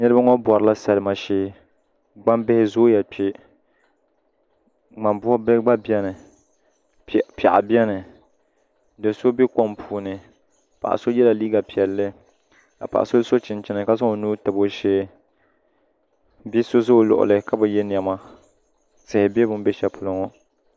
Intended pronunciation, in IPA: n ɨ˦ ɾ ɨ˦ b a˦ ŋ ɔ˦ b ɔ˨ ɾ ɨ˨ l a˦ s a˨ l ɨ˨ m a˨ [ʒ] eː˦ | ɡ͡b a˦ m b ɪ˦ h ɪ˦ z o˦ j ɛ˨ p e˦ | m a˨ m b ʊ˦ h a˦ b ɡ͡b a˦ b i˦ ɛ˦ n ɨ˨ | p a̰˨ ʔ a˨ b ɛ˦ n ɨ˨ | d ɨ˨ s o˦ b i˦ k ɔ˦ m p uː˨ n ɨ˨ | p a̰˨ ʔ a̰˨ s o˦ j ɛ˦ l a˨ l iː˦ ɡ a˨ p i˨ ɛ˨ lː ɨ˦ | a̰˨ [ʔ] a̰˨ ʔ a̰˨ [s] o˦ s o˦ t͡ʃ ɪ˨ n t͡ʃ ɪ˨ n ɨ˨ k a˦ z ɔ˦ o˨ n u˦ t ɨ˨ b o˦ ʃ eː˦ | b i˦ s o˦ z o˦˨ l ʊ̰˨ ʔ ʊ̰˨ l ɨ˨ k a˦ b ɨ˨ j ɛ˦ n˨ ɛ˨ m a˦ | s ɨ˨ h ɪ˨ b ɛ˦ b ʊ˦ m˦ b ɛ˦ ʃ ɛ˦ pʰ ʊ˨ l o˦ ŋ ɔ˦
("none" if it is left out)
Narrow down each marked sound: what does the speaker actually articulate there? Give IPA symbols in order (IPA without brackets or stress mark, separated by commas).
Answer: ʃ, p, s